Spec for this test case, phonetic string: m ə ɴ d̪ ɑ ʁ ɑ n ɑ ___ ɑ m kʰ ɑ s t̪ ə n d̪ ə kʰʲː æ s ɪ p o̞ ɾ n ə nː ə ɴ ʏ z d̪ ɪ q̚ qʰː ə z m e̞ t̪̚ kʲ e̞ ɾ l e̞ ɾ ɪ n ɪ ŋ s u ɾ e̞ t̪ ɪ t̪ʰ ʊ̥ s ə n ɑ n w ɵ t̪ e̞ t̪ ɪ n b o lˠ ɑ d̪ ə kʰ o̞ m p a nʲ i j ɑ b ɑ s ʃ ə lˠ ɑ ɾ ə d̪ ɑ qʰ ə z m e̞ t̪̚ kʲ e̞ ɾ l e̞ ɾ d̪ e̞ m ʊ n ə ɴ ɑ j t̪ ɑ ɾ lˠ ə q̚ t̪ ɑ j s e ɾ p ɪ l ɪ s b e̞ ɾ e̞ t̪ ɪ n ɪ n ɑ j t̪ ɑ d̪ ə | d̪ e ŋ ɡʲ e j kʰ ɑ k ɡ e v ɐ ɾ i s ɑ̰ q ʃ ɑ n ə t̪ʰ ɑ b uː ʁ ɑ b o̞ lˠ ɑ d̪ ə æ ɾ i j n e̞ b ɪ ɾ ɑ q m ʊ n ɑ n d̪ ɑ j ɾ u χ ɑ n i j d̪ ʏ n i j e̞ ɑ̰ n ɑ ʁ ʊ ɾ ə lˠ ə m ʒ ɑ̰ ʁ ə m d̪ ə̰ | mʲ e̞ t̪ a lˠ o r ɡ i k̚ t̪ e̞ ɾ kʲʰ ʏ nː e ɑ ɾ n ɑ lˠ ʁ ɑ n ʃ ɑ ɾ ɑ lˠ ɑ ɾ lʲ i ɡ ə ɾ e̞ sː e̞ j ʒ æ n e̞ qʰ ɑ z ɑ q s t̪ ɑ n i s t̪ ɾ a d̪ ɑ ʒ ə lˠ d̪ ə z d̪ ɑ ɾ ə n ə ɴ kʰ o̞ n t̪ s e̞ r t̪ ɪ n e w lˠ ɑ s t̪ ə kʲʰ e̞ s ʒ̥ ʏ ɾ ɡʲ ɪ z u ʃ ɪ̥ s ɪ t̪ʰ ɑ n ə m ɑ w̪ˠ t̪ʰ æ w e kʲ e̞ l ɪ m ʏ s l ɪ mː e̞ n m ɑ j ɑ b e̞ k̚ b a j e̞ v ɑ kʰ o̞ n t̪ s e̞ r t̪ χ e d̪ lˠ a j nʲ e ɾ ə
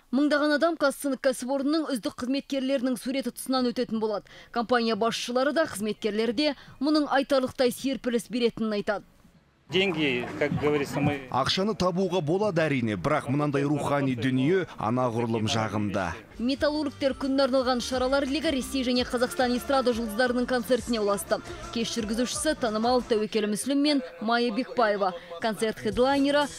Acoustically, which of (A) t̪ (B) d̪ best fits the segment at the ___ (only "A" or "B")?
B